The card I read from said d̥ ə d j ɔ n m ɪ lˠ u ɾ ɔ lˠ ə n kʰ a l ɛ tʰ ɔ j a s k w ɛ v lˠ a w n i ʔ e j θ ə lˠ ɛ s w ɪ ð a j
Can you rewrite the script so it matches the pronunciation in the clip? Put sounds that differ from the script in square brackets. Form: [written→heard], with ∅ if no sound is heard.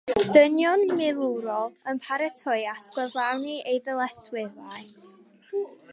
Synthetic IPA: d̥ ə [d→n] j ɔ n m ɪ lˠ u ɾ ɔ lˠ ə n [kʰ→pʰ] a [l→ɾ] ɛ tʰ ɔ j a s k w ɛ v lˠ a w n i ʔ e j [θ→ð] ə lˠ ɛ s w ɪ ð a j